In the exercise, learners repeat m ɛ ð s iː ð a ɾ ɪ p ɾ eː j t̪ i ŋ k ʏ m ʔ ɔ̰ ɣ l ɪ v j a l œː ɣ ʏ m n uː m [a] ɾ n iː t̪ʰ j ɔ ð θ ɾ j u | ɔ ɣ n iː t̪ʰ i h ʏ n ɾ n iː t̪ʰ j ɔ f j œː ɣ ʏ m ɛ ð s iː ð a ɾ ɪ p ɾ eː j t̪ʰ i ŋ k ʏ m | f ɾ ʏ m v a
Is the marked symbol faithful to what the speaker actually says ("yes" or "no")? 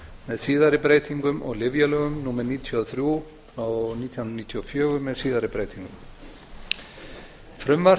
no